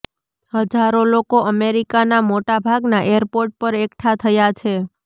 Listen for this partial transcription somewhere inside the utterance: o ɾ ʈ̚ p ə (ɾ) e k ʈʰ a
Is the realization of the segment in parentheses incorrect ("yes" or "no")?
no